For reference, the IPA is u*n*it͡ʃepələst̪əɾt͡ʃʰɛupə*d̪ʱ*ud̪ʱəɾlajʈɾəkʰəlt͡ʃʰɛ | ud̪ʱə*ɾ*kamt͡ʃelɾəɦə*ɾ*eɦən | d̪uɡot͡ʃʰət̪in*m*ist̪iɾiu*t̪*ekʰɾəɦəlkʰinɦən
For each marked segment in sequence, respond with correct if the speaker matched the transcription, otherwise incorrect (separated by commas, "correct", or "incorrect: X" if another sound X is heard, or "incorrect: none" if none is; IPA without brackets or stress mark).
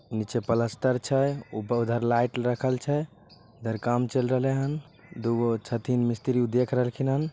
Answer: correct, incorrect: none, correct, incorrect: l, correct, incorrect: d̪